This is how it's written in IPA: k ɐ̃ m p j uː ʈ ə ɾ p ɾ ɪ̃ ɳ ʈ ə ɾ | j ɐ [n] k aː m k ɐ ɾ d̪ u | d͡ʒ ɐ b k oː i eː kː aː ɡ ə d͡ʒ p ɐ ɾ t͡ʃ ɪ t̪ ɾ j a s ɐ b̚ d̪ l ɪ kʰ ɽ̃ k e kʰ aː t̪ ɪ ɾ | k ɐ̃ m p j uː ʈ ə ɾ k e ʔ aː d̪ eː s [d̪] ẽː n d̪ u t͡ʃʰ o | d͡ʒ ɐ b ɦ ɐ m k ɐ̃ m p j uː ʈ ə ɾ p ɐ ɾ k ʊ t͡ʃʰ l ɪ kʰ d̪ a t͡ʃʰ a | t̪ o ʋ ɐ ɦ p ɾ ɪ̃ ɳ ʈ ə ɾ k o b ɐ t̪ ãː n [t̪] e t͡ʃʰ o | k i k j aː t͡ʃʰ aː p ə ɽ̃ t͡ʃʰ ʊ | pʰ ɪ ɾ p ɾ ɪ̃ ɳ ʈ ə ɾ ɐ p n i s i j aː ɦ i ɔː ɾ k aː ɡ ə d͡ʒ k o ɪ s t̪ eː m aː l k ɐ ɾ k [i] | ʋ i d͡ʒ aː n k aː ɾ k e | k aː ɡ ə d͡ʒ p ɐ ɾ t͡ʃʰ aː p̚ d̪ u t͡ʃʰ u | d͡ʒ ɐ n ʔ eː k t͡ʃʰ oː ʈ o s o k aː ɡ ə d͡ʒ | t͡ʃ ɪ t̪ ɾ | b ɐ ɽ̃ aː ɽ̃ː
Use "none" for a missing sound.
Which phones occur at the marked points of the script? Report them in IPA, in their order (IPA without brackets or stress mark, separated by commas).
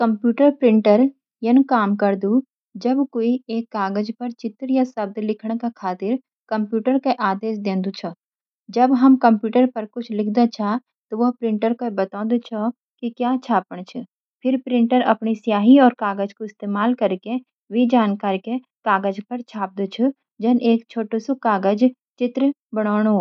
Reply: n, d̪, d̪, e